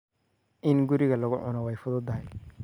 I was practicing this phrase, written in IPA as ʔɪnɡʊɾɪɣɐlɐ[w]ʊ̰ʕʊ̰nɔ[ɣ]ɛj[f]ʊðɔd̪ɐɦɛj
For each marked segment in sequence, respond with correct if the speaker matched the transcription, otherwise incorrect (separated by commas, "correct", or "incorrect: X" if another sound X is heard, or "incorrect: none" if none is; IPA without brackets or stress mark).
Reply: incorrect: ɣ, incorrect: w, correct